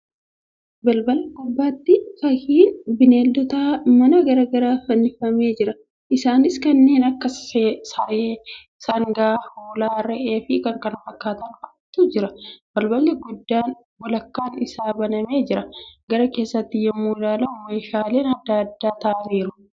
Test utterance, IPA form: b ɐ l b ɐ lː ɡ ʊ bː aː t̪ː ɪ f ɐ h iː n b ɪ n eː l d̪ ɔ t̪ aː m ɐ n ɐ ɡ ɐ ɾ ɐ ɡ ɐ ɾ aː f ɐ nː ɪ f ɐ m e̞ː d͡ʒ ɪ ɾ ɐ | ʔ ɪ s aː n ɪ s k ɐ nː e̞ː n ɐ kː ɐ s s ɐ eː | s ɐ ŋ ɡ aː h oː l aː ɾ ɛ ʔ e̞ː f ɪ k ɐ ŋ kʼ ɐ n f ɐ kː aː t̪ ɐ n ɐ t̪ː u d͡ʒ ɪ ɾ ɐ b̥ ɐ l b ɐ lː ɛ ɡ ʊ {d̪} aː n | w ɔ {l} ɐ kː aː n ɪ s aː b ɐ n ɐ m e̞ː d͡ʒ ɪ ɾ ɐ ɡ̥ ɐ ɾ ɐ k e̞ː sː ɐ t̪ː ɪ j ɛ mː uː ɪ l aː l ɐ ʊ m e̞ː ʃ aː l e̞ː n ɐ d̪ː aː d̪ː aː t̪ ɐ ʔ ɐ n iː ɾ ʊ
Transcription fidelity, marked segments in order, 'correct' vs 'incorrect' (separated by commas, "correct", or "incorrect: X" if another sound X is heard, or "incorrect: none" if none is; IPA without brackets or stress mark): incorrect: d̪ː, correct